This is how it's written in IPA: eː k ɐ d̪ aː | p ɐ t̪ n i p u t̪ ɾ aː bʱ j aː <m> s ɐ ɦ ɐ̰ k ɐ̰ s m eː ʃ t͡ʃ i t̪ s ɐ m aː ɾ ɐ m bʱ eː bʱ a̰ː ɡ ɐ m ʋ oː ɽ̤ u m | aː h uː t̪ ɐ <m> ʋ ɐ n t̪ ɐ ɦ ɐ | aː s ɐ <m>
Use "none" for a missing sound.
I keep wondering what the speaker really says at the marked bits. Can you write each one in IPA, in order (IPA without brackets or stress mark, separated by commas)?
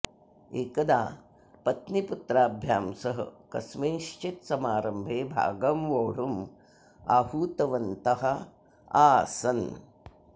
m, none, n